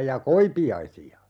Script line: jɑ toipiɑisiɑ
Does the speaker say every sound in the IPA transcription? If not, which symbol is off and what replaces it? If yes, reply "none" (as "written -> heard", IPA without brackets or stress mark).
t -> k